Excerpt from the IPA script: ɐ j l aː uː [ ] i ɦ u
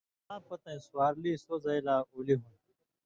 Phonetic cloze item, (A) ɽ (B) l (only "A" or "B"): B